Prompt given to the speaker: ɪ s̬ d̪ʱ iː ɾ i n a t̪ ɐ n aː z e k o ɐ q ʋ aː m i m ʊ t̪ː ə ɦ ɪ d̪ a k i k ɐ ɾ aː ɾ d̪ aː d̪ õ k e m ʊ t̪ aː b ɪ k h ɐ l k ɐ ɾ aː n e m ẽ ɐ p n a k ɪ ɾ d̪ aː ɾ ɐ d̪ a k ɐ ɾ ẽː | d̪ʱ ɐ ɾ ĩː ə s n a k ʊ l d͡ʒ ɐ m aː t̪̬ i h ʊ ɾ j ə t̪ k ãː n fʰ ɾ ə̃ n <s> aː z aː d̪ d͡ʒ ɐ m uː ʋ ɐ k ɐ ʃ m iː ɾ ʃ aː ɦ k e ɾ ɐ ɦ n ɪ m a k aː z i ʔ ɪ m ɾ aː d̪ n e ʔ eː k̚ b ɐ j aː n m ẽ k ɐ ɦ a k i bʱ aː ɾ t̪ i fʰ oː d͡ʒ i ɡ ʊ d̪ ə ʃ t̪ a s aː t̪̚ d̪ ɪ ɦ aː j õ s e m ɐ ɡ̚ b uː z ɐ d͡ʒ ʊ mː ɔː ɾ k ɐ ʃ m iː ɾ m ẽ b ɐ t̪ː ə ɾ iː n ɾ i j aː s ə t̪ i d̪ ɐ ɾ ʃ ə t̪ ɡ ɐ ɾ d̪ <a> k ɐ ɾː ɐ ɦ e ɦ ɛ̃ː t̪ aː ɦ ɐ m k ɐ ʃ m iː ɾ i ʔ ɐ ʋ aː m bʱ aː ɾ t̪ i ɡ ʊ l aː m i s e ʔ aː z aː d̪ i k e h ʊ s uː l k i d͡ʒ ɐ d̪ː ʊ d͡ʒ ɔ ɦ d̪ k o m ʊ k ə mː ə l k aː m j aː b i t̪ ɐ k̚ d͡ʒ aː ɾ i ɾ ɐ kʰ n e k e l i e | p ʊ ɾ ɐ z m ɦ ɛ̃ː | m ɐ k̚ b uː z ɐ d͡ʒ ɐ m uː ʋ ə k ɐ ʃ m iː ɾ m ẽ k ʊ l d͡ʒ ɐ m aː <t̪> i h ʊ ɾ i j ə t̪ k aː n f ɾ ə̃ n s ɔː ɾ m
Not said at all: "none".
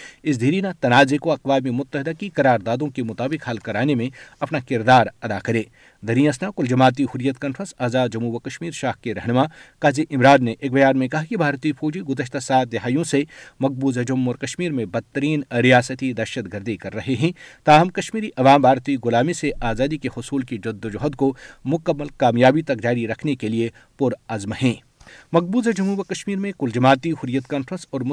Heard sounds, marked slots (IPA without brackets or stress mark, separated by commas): s, i, t̪